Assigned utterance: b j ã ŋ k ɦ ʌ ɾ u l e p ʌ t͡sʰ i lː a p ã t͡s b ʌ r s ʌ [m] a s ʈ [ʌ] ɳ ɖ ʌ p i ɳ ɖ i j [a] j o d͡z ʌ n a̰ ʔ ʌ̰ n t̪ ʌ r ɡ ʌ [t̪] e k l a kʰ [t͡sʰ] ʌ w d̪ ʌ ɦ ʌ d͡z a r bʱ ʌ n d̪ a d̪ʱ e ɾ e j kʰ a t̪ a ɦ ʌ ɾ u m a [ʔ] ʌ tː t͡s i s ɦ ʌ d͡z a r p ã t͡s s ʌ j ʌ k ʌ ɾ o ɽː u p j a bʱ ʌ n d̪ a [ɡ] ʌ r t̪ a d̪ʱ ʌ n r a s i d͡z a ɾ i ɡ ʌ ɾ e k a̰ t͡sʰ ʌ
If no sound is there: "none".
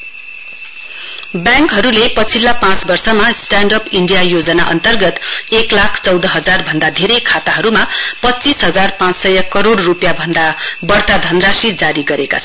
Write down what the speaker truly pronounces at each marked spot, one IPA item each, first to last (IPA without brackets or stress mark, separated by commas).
m, a, a, t̪, t͡s, p, b